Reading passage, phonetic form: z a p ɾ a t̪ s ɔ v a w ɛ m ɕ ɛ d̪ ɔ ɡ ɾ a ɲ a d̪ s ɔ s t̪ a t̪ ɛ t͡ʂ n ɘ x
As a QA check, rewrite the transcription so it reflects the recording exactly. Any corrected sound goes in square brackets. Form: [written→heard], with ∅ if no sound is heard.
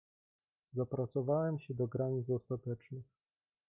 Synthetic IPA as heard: z a p ɾ a t̪ s ɔ v a w ɛ m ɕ ɛ d̪ ɔ ɡ ɾ a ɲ [a→i] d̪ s ɔ s t̪ a t̪ ɛ t͡ʂ n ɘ x